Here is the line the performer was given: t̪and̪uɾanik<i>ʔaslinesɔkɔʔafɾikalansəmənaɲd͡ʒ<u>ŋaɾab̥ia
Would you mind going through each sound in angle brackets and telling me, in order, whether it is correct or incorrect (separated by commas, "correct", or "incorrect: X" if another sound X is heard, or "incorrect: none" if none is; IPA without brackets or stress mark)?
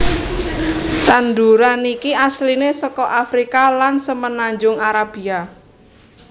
correct, incorrect: ʊ